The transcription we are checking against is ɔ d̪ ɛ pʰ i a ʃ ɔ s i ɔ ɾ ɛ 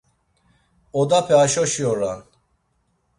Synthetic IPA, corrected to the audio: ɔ d̪ a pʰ ɛ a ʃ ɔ ʃ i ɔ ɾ a